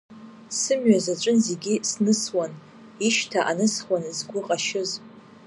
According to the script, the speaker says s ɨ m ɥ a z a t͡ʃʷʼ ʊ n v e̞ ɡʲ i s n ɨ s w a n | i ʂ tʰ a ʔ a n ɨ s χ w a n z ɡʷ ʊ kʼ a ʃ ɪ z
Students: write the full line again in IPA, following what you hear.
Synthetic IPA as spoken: s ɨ m ɥ a z a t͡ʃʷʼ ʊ n z e̞ ɡʲ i s n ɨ s w a n | i ʃ tʰ a ʔ a n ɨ s χ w a n z ɡʷ ʊ qʼ a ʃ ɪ z